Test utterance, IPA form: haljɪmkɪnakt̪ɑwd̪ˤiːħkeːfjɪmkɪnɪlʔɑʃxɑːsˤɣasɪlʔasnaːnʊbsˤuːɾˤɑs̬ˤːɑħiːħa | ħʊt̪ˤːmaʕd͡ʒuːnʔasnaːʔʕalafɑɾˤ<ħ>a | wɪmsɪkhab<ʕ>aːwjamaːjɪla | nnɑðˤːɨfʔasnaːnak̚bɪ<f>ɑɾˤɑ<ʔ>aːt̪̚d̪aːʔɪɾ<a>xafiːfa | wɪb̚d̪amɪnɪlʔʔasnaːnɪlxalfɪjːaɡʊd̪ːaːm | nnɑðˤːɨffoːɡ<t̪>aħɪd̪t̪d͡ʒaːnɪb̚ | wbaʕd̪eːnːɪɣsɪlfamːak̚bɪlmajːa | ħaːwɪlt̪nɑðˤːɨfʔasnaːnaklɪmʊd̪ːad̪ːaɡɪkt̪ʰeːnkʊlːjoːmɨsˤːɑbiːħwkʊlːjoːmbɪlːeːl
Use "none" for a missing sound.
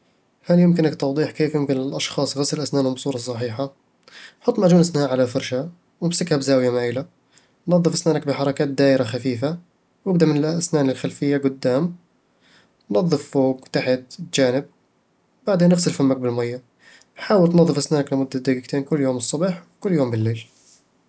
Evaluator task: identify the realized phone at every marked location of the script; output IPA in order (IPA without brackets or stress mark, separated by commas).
ʃ, z, ħ, k, a, t̪